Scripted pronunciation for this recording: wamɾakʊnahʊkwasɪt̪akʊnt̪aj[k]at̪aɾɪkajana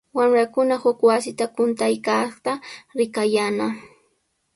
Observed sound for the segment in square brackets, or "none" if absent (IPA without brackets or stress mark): k